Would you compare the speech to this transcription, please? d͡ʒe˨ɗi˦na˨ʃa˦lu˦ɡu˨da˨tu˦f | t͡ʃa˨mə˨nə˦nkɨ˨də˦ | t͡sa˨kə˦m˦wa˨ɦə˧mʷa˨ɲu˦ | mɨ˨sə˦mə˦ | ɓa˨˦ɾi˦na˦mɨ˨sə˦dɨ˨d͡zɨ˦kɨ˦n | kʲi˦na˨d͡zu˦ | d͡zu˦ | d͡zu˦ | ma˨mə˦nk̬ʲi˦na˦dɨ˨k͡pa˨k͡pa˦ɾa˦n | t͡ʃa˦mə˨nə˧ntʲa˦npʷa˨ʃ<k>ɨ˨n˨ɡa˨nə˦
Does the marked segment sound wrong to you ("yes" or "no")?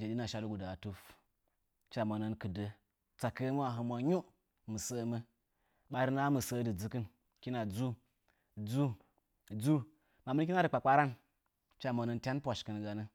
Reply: no